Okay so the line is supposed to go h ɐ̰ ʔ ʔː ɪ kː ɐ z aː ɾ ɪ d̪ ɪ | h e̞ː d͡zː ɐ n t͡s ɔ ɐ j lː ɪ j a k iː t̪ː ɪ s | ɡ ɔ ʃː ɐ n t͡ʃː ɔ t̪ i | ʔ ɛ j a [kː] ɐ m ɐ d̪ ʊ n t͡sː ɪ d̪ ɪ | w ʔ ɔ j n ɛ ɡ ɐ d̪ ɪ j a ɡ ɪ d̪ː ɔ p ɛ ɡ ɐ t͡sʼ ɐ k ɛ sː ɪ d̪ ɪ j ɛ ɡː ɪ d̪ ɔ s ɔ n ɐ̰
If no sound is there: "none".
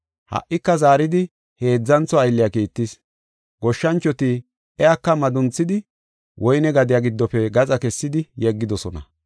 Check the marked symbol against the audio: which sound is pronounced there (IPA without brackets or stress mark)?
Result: kː